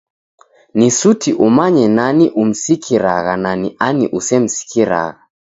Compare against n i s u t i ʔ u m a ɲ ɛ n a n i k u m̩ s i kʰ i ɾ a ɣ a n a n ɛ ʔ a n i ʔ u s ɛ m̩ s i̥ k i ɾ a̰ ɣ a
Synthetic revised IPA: n i s u t i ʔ u m a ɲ ɛ n a n i ʔ u m̩ s i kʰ i ɾ a ɣ a n a n i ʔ a n i ʔ u s ɛ m̩ s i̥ k i ɾ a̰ ɣ a